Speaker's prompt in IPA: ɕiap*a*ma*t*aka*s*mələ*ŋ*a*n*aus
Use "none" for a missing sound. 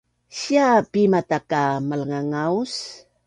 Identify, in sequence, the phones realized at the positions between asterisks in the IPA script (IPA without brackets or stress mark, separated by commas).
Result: i, t, none, ŋ, ŋ